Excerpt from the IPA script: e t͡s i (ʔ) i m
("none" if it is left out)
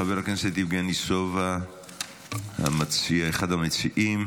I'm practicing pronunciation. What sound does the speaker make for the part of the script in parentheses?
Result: ʔ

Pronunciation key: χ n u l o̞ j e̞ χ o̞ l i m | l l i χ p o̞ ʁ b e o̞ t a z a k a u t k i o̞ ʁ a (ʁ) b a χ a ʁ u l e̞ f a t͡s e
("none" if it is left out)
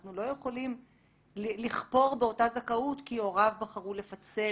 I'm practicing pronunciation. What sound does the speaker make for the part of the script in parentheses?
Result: v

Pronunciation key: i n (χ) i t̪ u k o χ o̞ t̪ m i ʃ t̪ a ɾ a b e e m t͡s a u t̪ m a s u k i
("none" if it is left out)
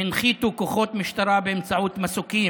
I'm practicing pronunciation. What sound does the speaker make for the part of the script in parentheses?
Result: χ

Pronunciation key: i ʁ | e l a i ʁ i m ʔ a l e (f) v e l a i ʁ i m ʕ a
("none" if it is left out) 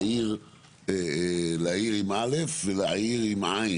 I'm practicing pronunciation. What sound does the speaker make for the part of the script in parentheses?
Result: f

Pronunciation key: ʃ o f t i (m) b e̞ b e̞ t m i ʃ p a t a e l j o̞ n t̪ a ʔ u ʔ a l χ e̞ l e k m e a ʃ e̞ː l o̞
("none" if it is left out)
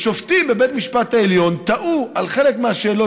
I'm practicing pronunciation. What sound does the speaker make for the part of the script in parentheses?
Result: m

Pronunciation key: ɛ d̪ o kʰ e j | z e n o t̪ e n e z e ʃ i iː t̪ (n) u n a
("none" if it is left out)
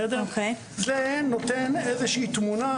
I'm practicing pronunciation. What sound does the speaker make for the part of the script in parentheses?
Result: m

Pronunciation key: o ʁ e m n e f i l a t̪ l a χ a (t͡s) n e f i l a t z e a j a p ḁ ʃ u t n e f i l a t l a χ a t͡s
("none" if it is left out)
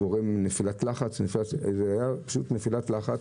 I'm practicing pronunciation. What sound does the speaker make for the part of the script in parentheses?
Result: t͡s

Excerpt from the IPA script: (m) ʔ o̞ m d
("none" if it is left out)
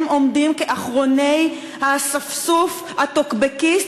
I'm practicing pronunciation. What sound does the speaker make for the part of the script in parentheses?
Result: m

